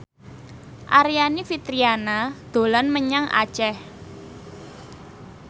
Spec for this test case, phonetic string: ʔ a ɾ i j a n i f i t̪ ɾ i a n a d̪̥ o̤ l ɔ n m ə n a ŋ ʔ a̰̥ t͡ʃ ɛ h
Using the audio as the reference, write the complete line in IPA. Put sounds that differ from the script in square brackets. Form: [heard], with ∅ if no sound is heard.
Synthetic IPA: ʔ a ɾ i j a n i f i t̪ ɾ i a n a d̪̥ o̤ l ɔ n m ə [ɲ] a ŋ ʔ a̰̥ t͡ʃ ɛ h